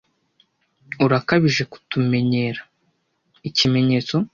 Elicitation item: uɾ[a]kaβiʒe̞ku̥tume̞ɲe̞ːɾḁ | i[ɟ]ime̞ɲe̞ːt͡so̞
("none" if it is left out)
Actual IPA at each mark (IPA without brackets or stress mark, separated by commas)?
a, c